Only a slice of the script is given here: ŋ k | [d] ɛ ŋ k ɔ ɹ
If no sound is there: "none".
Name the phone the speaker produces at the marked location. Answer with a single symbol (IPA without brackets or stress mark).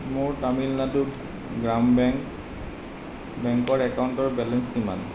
b